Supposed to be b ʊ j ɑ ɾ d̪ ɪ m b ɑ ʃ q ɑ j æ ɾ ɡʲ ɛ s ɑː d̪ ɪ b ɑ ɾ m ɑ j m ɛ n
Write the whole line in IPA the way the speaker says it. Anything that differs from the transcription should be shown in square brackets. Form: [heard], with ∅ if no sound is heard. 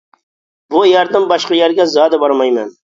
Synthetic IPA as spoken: b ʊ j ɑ ɾ d̪ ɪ m b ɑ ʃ q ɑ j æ ɾ ɡʲ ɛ [z] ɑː d̪ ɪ b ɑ ɾ m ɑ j m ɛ n